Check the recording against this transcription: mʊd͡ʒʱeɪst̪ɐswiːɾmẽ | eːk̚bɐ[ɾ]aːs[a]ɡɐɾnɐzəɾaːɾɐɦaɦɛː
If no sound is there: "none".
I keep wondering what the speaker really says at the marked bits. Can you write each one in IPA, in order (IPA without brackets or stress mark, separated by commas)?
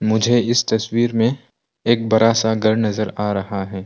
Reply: ɾ, a